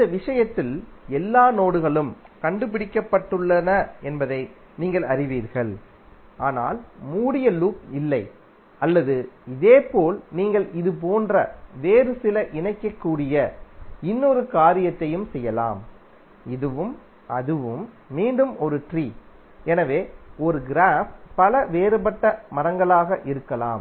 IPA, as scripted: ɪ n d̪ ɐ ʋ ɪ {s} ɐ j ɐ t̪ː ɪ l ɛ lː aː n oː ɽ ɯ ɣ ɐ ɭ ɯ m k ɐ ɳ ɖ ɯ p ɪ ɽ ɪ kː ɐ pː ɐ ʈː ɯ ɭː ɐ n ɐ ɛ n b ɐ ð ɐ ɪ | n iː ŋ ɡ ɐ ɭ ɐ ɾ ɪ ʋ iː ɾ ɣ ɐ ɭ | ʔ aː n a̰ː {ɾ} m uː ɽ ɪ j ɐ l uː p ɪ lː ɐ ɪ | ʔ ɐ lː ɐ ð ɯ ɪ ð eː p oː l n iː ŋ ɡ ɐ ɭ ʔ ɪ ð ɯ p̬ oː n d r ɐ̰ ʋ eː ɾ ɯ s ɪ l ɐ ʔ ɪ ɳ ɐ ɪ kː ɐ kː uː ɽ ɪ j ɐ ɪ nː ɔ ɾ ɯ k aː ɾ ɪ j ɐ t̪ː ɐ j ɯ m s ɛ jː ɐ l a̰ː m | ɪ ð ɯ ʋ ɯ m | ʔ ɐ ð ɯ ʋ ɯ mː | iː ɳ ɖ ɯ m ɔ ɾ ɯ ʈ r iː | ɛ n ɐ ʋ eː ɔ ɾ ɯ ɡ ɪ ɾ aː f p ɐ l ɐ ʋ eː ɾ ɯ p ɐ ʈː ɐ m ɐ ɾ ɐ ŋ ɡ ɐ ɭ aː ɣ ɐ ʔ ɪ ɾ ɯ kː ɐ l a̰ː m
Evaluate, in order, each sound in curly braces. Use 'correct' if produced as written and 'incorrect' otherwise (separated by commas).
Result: incorrect, incorrect